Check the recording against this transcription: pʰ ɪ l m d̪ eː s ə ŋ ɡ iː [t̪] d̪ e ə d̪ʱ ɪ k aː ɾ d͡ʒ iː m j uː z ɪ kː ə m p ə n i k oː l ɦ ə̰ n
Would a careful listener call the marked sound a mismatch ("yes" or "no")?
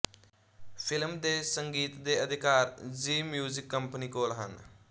no